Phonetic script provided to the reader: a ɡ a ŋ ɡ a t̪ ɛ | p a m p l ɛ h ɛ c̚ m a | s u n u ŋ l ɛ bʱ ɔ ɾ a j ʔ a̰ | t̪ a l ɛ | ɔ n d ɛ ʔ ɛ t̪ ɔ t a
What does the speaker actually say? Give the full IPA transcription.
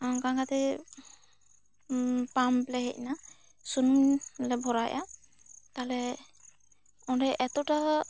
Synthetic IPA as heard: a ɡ a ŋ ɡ a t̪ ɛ | p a m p l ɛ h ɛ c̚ n a | s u n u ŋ l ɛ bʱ ɔ ɾ a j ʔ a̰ | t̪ a l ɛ | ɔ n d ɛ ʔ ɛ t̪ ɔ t a